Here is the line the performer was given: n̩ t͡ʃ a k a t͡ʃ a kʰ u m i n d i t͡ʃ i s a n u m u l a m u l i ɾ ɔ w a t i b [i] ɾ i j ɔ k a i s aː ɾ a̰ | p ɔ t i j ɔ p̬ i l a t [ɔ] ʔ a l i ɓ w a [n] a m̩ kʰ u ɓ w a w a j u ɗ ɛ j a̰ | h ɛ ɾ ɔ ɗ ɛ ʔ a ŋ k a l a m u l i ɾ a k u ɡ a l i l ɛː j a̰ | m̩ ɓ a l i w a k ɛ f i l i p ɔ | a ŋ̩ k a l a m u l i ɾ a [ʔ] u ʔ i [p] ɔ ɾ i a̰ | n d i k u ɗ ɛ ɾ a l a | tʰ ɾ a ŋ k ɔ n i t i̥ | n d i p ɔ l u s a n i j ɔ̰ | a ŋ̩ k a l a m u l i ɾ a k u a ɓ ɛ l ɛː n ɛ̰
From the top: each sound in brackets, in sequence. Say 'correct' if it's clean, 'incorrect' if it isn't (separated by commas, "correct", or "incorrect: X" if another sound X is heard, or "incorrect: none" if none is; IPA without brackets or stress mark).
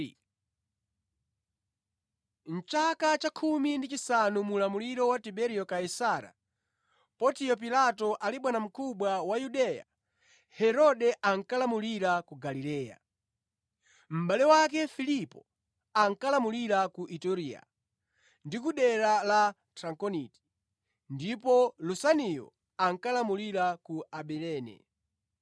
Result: incorrect: ɛ, correct, correct, incorrect: k, incorrect: t